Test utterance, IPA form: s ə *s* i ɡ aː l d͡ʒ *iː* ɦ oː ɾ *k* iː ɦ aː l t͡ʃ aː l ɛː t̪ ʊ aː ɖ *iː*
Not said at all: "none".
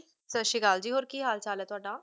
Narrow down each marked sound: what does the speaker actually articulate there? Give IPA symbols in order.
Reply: ʃ, iː, k, aː

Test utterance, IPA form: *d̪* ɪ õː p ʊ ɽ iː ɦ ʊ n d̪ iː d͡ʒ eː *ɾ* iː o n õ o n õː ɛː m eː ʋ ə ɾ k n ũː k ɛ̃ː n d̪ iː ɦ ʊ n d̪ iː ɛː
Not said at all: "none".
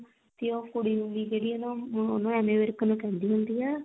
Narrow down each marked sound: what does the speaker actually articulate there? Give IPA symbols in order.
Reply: t̪, ɽ

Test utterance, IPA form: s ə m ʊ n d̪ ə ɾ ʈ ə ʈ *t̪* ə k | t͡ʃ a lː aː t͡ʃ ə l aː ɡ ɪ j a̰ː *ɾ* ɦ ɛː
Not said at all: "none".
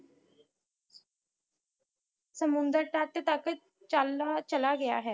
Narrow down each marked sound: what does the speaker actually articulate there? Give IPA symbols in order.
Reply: t̪, none

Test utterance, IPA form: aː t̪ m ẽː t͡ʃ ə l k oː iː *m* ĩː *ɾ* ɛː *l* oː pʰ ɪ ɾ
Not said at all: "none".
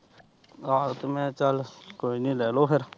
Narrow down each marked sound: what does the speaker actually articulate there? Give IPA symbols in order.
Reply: n, l, l

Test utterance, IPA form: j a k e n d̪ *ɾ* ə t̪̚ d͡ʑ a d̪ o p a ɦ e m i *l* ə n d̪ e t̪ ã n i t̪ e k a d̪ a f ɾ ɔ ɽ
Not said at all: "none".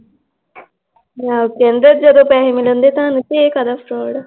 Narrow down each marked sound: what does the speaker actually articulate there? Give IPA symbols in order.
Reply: ɾ, l

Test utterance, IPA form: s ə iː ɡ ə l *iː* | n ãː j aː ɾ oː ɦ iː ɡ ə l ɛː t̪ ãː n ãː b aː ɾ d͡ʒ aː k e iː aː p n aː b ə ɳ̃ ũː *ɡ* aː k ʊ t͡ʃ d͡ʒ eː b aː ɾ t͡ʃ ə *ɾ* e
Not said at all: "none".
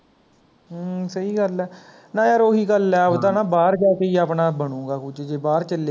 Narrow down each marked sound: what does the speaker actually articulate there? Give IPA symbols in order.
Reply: ɛː, ɡ, l

